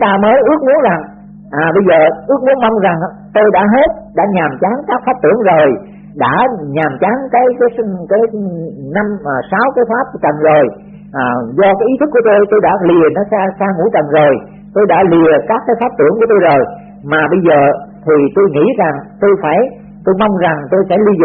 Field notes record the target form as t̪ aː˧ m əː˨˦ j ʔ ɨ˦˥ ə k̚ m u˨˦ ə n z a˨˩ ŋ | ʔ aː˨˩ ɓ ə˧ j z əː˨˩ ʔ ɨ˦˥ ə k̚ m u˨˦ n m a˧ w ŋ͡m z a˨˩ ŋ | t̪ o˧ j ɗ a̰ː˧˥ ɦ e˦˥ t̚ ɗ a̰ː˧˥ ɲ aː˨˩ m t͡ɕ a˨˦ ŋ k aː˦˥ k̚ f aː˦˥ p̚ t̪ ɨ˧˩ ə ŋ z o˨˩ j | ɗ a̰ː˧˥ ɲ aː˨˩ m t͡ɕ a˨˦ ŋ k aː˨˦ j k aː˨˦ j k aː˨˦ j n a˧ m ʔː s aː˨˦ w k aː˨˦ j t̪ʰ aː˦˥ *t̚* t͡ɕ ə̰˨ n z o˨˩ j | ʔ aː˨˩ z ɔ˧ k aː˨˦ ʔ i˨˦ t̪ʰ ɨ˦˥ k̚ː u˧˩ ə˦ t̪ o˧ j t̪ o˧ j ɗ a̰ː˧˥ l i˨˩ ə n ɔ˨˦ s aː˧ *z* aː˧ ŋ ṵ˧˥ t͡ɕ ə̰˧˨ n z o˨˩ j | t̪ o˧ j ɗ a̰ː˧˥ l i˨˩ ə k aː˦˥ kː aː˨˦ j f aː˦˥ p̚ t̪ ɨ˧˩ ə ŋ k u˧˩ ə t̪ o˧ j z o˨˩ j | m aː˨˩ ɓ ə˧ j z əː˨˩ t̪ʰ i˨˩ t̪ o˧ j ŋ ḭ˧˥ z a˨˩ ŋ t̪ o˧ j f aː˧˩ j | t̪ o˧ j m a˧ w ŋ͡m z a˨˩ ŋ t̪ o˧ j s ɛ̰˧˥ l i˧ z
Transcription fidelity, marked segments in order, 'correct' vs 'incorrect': incorrect: p̚, incorrect: s

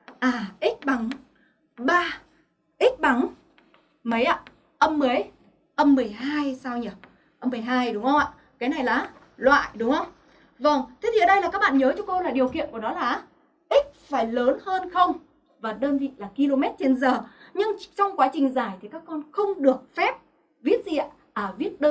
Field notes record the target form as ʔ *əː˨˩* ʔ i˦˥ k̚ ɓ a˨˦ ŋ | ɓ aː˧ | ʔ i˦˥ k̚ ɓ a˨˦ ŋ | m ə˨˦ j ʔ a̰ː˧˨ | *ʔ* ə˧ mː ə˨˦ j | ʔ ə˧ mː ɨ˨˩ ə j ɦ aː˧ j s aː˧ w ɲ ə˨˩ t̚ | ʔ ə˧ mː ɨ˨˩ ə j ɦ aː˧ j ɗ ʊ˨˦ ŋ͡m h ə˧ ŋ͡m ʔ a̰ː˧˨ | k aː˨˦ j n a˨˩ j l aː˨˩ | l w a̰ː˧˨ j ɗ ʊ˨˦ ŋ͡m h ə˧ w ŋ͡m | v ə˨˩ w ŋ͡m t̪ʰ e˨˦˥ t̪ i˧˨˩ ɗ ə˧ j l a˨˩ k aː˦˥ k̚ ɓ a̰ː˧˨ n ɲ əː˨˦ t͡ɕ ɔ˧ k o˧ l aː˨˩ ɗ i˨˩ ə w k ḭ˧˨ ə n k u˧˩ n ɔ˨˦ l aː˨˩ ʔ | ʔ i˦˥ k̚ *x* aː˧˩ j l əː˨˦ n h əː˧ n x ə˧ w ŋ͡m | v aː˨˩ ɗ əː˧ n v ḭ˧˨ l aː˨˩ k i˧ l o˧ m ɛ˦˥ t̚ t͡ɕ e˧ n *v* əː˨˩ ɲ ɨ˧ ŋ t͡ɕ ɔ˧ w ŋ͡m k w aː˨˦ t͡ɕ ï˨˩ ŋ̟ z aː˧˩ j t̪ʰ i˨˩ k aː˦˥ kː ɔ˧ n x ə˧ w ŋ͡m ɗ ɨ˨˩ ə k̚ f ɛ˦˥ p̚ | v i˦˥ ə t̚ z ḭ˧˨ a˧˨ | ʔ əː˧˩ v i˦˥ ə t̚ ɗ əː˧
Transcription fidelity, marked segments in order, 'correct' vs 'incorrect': incorrect: aː˨˩, correct, incorrect: f, incorrect: z

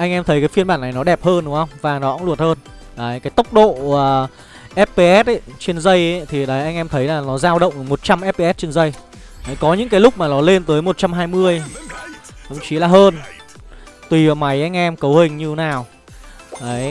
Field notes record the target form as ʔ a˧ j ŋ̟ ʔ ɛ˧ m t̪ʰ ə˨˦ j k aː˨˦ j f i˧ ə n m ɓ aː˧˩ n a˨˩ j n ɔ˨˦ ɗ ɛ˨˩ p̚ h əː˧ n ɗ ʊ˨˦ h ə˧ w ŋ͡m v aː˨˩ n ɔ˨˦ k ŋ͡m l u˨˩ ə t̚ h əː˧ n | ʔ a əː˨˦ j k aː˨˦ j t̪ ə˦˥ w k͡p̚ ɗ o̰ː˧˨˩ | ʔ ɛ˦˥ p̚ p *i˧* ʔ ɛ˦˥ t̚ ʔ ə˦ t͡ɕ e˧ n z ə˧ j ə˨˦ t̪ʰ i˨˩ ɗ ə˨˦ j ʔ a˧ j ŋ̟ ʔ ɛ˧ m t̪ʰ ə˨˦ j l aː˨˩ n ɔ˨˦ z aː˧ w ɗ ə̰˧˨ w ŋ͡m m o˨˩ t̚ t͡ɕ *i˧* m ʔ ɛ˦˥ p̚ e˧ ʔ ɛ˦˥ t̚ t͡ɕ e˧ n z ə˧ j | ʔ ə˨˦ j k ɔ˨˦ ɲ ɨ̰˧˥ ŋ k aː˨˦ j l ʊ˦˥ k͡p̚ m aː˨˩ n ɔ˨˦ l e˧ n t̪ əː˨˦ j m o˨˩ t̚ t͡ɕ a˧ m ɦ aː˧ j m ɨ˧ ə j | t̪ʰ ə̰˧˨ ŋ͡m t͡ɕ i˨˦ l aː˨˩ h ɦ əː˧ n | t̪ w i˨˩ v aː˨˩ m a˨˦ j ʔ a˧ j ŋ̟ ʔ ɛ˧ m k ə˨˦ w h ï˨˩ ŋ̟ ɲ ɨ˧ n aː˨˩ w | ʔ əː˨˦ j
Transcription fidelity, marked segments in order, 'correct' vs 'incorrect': incorrect: e˧, incorrect: a˧

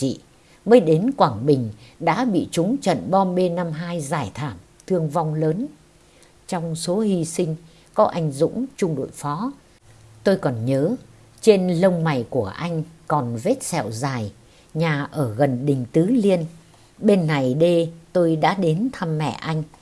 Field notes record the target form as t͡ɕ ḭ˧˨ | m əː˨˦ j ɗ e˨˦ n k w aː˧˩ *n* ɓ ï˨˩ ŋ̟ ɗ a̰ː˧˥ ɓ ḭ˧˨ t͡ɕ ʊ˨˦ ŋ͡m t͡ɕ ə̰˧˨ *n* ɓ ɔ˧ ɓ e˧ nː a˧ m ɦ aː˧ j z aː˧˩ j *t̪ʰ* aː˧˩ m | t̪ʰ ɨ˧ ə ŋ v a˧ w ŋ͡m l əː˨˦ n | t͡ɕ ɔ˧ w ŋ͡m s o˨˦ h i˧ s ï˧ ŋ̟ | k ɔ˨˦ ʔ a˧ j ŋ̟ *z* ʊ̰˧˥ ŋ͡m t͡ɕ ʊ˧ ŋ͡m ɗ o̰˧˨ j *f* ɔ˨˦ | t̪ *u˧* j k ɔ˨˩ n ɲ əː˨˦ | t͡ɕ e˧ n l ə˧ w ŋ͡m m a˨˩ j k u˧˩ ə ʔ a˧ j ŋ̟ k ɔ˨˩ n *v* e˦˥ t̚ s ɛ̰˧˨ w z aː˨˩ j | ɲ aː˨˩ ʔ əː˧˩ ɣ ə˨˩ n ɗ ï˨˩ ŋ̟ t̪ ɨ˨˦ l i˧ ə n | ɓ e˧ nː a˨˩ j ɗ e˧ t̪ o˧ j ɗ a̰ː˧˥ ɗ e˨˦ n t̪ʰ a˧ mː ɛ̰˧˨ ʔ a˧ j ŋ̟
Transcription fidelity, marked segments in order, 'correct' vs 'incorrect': incorrect: ŋ, correct, correct, correct, correct, incorrect: o˧, correct

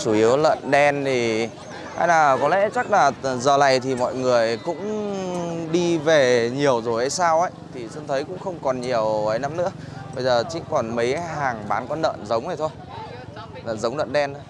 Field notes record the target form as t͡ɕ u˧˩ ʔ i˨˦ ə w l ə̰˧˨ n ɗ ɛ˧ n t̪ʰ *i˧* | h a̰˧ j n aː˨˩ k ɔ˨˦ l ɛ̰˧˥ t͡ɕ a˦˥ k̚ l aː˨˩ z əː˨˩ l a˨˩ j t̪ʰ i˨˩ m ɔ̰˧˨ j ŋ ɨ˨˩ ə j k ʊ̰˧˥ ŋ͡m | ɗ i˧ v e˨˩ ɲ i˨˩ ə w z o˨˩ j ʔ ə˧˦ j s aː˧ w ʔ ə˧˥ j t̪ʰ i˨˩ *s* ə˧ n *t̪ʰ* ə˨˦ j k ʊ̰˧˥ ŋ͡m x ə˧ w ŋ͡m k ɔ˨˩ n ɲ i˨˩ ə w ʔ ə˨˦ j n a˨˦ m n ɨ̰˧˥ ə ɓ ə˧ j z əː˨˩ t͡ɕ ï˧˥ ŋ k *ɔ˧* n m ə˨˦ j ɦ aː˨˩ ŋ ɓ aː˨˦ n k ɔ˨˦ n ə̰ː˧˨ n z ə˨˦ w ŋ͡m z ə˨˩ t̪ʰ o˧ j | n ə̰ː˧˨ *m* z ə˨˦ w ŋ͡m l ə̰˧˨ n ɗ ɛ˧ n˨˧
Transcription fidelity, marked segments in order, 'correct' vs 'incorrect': incorrect: i˨˩, correct, correct, incorrect: ɔ˨˩, incorrect: n

